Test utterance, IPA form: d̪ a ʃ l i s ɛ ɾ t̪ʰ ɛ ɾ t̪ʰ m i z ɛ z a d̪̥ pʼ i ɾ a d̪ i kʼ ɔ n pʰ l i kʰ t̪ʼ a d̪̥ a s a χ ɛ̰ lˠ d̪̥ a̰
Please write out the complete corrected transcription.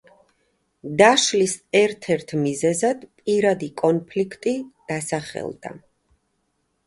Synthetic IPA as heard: d̪ a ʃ l i s ɛ ɾ t̪ʰ ɛ ɾ t̪ʰ m i z ɛ z a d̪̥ pʼ i ɾ a d̪ i kʼ ɔ n pʰ l i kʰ t̪ʼ i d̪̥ a s a χ ɛ̰ lˠ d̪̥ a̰